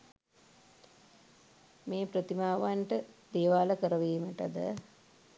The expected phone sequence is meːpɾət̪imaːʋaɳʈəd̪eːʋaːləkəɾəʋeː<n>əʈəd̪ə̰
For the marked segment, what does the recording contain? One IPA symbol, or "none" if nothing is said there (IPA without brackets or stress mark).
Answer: m